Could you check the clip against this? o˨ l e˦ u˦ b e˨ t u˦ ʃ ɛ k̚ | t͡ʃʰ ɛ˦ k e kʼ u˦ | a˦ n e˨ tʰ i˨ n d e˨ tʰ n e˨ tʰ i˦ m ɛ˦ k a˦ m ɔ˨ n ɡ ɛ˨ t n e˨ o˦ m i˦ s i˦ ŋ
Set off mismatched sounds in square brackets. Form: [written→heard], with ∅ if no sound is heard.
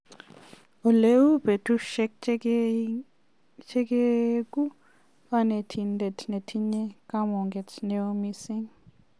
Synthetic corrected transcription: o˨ l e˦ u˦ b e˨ t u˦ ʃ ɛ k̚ | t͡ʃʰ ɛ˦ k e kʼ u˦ | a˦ n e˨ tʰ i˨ n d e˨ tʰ n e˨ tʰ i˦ [m→ɲ] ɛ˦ k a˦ m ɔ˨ [n→ŋ] ɡ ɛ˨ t n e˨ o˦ m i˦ s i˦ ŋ